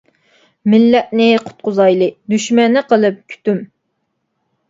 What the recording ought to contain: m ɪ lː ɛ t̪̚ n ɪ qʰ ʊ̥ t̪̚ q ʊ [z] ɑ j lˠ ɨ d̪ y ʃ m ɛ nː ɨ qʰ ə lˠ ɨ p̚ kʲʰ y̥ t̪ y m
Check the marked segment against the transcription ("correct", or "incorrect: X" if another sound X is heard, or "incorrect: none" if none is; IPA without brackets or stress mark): correct